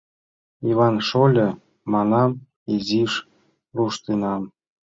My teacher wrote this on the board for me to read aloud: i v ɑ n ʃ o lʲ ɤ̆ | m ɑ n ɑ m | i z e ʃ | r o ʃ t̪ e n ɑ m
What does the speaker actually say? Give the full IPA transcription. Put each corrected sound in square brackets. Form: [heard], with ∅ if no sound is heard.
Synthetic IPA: i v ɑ n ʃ o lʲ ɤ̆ | m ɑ n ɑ m | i z [i] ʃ | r [u] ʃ t̪ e n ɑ m